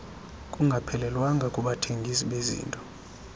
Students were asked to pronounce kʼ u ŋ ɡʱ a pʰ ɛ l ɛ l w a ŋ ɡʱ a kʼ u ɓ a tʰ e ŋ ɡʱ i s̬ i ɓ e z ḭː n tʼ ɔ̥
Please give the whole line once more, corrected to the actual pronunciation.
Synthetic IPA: kʼ u ŋ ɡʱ a pʰ ɛ l ɛ l w a ŋ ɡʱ a kʼ u ɓ a tʰ e ŋ ɡʱ i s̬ i ɓ e z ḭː n tʼ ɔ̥